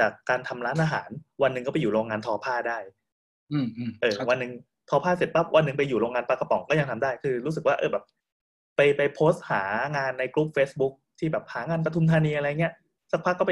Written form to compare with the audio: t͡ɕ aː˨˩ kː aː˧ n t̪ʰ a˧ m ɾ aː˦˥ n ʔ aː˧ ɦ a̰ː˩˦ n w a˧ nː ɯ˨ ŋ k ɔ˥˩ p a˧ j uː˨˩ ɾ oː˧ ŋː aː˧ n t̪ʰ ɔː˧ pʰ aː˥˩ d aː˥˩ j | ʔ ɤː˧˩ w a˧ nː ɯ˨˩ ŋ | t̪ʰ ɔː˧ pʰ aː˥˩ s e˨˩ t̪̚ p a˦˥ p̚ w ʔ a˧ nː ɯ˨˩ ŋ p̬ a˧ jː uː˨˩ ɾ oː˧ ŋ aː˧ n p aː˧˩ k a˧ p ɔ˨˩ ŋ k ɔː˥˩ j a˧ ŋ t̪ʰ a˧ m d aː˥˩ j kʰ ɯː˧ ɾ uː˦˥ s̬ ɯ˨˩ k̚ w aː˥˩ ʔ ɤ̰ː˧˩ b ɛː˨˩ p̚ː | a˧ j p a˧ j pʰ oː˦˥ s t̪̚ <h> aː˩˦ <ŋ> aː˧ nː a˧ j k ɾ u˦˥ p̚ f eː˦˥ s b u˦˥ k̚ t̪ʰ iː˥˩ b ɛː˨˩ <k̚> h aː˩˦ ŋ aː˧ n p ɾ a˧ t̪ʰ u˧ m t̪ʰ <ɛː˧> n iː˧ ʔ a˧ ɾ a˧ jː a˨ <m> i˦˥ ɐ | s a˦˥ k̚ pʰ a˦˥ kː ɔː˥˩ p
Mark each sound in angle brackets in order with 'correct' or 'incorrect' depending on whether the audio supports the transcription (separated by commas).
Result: correct, correct, incorrect, incorrect, incorrect